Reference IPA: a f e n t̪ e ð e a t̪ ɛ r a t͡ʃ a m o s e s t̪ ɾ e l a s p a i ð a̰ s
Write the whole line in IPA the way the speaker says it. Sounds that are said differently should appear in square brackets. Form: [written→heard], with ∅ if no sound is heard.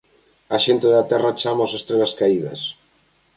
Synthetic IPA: a [f→ʃ] e n t̪ e ð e a t̪ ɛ r a t͡ʃ a m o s e s t̪ ɾ e l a s [p→k] a i ð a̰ s

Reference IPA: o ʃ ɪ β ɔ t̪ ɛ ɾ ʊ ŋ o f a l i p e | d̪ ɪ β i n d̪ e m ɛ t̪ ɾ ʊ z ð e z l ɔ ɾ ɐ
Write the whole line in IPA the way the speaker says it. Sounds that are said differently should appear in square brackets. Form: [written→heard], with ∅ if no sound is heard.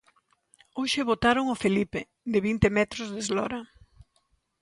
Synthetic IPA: o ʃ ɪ β [ɔ→o] t̪ [ɛ→a] ɾ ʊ ŋ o f [a→e] l i p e | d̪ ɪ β i n [d̪→t̪] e m ɛ t̪ ɾ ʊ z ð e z l ɔ ɾ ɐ

